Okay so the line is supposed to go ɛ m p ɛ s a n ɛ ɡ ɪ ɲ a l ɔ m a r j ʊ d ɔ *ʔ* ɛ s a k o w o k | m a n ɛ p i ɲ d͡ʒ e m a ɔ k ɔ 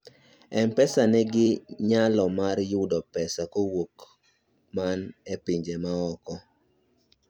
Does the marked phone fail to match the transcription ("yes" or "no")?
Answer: yes